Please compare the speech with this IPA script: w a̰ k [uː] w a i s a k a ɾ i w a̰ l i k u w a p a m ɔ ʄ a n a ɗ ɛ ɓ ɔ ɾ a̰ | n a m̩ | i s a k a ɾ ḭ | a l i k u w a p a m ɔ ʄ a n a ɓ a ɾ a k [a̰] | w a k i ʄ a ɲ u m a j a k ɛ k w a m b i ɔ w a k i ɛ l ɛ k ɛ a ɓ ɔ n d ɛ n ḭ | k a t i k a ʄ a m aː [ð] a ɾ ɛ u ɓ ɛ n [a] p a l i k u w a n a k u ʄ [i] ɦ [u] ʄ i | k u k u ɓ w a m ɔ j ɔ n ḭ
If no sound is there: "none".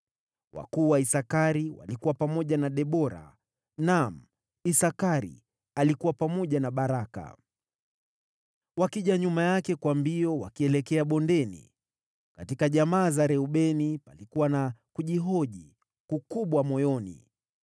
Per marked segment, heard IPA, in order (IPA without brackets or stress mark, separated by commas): uː, a̰, z, i, i, ɔ